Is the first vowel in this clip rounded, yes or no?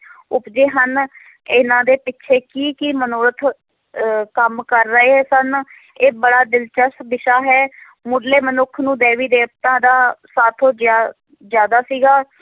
yes